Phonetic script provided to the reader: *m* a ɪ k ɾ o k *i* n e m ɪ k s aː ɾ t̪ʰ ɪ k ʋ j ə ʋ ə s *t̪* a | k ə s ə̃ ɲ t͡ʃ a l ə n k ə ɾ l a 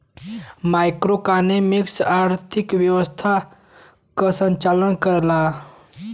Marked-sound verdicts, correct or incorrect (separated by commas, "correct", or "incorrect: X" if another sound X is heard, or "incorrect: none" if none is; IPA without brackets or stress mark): correct, incorrect: a, incorrect: t̪ʰ